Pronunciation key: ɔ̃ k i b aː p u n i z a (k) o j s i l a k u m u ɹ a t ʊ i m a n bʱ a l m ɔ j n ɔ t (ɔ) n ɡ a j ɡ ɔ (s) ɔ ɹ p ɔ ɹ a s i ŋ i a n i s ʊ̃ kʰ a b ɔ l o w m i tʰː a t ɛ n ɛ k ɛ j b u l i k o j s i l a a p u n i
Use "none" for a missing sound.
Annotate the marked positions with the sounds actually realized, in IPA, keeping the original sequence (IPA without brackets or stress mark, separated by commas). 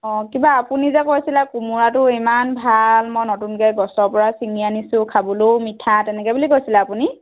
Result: k, u, s